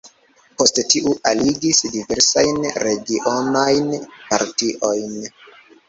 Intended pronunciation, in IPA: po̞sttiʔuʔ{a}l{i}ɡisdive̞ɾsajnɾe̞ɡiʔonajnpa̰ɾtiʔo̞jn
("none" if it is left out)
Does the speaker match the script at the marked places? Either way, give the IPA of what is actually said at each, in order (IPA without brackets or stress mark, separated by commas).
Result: a, i